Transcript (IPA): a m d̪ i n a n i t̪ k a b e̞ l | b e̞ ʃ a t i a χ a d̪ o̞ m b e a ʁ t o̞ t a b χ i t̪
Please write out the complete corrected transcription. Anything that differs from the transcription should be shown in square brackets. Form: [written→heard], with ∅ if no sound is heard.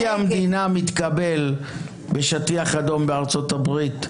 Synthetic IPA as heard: a m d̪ i n a [n→m] i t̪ k a b e̞ l | b e̞ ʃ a t i a χ a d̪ o̞ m b e a ʁ [t→t͡s] o̞ t a b [χ→ʁ] i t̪